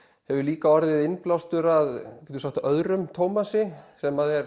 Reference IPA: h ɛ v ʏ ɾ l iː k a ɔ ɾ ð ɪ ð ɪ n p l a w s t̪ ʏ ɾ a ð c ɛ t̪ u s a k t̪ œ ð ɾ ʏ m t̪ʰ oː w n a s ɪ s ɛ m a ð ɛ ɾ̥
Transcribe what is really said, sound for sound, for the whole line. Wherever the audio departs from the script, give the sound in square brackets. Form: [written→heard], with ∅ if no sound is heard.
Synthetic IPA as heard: h ɛ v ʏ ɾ l iː k a ɔ ɾ ð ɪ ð ɪ n p l a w s t̪ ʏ ɾ a ð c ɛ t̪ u s a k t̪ œ ð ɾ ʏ m t̪ʰ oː w [n→m] a s ɪ s ɛ m a ð ɛ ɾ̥